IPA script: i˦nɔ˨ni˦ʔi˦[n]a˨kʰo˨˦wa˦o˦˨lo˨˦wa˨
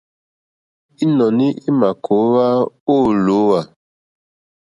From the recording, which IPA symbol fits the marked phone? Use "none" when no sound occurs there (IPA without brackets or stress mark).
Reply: m